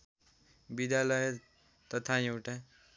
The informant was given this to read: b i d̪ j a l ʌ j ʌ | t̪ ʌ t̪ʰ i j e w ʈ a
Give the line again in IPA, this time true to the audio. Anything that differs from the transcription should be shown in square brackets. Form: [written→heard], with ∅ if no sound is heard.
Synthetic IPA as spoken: b i d̪ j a l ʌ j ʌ | t̪ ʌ t̪ʰ [i→a] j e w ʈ a